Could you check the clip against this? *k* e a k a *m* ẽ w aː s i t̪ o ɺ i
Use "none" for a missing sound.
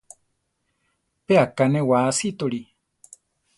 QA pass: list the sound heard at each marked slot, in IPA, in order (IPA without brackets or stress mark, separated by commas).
p, n